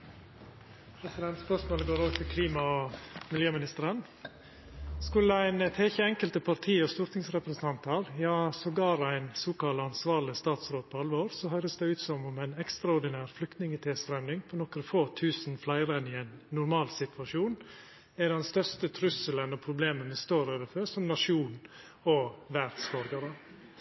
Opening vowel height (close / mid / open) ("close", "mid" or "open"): mid